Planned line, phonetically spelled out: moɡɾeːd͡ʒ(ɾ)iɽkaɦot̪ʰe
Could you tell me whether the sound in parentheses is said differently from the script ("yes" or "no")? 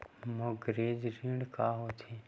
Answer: no